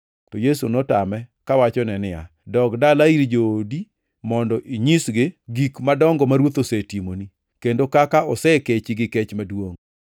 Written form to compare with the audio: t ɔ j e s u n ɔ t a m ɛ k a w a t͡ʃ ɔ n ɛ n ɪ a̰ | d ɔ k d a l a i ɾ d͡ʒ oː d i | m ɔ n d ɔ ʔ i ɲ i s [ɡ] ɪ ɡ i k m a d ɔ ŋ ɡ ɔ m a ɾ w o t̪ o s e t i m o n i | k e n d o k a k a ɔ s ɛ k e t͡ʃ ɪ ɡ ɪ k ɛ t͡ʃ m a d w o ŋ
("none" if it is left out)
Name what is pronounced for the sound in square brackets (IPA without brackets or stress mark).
ɡ